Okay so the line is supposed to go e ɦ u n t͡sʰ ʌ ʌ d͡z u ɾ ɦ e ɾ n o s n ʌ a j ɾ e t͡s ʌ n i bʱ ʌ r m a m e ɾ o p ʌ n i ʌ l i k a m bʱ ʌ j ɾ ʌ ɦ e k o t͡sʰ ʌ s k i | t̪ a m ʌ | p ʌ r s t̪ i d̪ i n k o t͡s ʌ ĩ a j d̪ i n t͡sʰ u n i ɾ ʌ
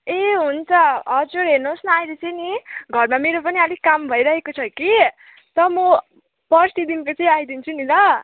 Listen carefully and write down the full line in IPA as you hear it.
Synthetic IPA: e ɦ u n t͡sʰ ʌ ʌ d͡z u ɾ ɦ e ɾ n o s n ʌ a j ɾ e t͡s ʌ n i ɡʱ ʌ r m a m e ɾ o p ʌ n i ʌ l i k a m bʱ ʌ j ɾ ʌ ɦ e k o t͡sʰ ʌ k i | t̪ ʌ m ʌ | p ʌ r s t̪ i d̪ i n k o t͡s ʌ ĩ a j d̪ i n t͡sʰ u n i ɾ ʌ